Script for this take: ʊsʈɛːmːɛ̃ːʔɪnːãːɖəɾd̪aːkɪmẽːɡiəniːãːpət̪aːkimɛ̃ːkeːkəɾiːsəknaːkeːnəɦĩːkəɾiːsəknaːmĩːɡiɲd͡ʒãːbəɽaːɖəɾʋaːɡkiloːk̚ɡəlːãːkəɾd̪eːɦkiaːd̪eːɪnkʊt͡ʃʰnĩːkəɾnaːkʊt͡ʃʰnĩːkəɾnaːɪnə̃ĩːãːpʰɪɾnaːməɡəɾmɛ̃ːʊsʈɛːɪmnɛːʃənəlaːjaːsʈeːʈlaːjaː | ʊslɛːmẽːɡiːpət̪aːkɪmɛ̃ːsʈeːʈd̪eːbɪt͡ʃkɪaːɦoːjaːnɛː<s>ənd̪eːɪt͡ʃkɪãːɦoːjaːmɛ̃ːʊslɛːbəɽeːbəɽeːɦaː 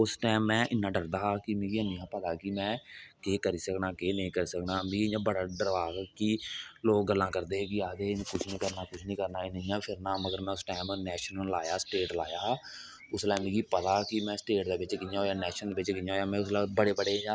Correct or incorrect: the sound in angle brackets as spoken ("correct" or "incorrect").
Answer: incorrect